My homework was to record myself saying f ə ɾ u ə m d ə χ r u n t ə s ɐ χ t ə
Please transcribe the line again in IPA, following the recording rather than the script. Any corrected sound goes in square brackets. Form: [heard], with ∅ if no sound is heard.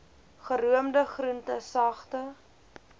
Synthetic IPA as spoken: [χ] ə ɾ u ə m d ə χ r u n t ə s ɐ χ t ə